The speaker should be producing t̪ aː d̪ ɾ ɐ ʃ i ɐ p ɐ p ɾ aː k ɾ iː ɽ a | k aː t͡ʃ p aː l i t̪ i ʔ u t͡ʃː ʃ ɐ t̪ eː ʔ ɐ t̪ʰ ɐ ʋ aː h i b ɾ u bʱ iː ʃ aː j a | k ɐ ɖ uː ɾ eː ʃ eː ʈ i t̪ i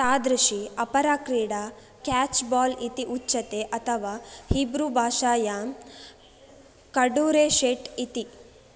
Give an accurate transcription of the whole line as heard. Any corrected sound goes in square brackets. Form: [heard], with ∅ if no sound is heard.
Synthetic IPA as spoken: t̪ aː d̪ ɾ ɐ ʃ i ɐ p ɐ [∅] ɾ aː k ɾ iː ɽ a | k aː t͡ʃ [b] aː l i t̪ i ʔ u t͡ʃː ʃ ɐ t̪ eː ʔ ɐ t̪ʰ ɐ ʋ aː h i b ɾ u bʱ [aː] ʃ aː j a | k ɐ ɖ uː ɾ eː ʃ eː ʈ i t̪ i